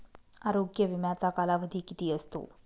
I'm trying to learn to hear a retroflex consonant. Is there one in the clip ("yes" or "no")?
no